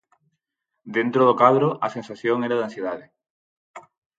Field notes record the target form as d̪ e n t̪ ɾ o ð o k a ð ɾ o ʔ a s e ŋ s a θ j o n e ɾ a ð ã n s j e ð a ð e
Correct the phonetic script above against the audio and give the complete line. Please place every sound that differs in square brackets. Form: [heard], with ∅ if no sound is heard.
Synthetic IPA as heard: d̪ e n t̪ ɾ o ð o k a ð ɾ o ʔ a s e [n] s a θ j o [ŋ] e ɾ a ð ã n s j e ð a ð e

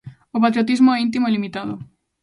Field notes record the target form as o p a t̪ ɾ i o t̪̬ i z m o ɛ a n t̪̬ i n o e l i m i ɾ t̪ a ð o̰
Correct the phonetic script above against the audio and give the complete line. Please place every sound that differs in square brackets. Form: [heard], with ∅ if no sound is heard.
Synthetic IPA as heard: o p a t̪ ɾ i o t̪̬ i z m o ɛ [i] n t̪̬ i [m] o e l i m i [∅] t̪ a ð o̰

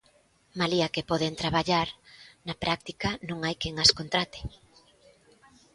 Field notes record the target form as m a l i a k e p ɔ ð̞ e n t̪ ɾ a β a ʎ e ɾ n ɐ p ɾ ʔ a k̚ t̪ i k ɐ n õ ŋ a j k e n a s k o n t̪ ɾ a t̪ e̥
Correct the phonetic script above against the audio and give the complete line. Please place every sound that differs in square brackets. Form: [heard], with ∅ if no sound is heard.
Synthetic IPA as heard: m a l i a k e p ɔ ð̞ e n t̪ ɾ a β a ʎ [a] ɾ n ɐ p ɾ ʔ a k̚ t̪ i k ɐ n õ ŋ a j k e [ŋ] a s k o n t̪ ɾ a t̪ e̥

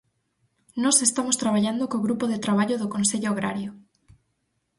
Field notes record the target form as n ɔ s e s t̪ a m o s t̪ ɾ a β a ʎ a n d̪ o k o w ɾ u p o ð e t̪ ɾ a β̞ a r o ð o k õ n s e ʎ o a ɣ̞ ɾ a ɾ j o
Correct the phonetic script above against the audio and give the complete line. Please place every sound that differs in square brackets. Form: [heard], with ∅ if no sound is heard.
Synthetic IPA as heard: n ɔ s e s t̪ a m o s t̪ ɾ a β a ʎ a n d̪ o k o [ɣ] ɾ u p o ð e t̪ ɾ a β̞ a [ʎ] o ð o k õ n s e ʎ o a ɣ̞ ɾ a ɾ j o

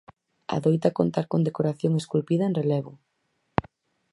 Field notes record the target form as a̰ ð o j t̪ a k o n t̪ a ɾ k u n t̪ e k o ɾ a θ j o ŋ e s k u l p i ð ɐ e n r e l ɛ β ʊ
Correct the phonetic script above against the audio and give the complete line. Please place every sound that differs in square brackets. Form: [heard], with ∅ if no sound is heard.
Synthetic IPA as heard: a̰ ð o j t̪ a k o n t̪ a ɾ k [o] n [d̪] e k o ɾ a θ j o ŋ e s k u l p i ð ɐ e n r e l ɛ β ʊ

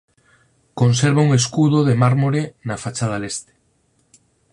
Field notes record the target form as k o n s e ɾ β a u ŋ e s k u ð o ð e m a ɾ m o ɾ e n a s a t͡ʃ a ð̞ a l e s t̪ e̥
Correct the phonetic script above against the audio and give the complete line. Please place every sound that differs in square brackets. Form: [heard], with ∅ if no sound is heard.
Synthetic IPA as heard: k o n s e ɾ β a u ŋ e s k u ð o ð e m a ɾ m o ɾ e n a [f] a t͡ʃ a ð̞ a l e s t̪ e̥

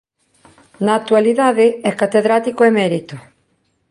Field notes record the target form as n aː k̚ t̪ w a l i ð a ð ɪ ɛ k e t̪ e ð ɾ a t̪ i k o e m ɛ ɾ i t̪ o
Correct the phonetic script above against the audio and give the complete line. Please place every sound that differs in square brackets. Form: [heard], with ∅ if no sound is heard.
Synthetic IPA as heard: n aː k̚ t̪ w a l i ð a ð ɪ ɛ k [a] t̪ e ð ɾ a t̪ i k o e m ɛ ɾ i t̪ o

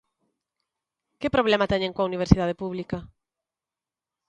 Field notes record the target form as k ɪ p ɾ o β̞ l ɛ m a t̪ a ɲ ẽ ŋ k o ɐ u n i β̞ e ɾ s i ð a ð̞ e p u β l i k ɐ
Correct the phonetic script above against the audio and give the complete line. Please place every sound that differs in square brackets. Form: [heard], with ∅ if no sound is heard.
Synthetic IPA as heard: k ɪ p ɾ o β̞ l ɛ m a t̪ [ɛ] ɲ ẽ ŋ k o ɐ u n i β̞ e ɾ s i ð a ð̞ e p u β l i k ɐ

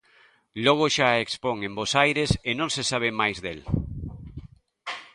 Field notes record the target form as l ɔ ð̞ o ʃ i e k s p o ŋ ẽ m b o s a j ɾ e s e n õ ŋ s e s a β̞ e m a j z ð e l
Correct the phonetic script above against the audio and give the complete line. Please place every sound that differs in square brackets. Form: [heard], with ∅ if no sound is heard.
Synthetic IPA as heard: l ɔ [ɣ̞] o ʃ [a] e k s p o ŋ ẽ m b o s a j ɾ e s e n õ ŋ s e s a β̞ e m a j z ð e l

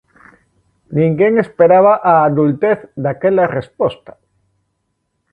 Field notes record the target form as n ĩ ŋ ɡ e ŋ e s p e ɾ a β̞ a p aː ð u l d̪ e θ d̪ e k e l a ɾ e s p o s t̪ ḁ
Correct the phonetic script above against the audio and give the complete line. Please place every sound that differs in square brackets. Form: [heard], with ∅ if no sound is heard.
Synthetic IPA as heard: n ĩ ŋ ɡ e ŋ e s p e ɾ a β̞ a [ʔ] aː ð u l [t̪] e θ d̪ [a] k e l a [r] e s p o s t̪ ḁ

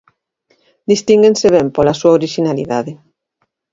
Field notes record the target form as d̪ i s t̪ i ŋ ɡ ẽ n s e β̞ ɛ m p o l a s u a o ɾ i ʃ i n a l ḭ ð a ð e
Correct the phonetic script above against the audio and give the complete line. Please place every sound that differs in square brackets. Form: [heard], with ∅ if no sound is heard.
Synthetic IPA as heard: d̪ i s t̪ i ŋ ɡ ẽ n s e β̞ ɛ m p o l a s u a o ɾ i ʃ i n a l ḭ ð a ð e

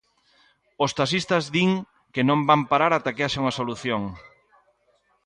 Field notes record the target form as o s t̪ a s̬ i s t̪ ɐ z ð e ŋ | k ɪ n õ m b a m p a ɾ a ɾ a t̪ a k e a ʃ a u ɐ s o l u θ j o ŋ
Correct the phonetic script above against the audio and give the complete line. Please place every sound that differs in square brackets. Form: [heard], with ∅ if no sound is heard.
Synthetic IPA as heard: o s t̪ a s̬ i s t̪ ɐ z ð [i] ŋ | k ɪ n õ m b a m p a ɾ a ɾ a t̪ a k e a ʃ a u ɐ s o l u θ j o ŋ

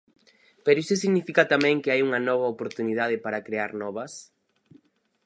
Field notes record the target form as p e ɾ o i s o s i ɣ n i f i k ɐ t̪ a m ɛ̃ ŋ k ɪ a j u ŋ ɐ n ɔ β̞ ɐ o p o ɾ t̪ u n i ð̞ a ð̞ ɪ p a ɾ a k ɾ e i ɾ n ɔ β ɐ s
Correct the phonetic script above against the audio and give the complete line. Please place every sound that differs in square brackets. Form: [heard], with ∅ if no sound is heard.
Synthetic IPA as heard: p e ɾ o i s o s i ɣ n i f i k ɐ t̪ a m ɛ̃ ŋ k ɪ a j u ŋ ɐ n ɔ β̞ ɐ o p o ɾ t̪ u n i ð̞ a ð̞ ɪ p a ɾ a k ɾ e [a] ɾ n ɔ β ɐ s

